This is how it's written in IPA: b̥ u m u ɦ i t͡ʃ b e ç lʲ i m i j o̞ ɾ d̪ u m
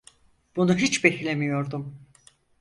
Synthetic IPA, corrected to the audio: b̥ u n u ɦ i t͡ʃ b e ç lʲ e m i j o̞ ɾ d̪ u m